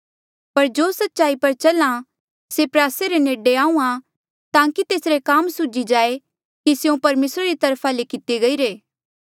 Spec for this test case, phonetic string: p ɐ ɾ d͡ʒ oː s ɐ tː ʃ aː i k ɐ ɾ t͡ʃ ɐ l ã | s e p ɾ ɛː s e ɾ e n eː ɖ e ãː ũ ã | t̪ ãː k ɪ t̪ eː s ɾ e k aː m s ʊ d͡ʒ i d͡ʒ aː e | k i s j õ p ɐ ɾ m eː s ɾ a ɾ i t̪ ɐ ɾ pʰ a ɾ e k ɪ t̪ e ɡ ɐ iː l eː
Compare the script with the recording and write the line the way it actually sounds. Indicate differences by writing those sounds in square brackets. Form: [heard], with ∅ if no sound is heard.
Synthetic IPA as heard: p ɐ ɾ d͡ʒ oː s ɐ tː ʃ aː i [p] ɐ ɾ t͡ʃ ɐ l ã | s e p ɾ [aː] s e ɾ e n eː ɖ e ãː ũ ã | t̪ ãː k [i] t̪ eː s ɾ e k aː m s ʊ d͡ʒ i d͡ʒ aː e | k i s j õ p ɐ ɾ m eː s ɾ a ɾ i t̪ ɐ ɾ pʰ a [l] e k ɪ t̪ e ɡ ɐ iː [ɾ] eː